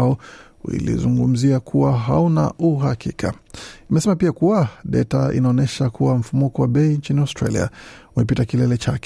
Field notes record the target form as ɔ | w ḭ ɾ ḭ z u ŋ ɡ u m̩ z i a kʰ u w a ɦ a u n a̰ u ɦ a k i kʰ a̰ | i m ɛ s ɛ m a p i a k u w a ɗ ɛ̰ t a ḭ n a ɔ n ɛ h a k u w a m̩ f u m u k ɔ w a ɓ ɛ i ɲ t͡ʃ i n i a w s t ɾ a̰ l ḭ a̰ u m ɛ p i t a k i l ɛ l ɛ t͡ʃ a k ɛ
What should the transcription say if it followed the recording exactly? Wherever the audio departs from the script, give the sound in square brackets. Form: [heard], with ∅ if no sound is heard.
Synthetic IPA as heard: ɔ | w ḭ [l] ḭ z u ŋ ɡ u m̩ z i a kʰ u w a ɦ a u n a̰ u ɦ a k i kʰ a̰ | i m ɛ s ɛ m a p i a k u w a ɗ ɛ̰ t a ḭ n a ɔ n ɛ [ʃ] a k u w a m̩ f u m u k ɔ w a ɓ ɛ i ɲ t͡ʃ i n i a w s t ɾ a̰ l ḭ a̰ u m ɛ p i t a k i l ɛ l ɛ t͡ʃ a k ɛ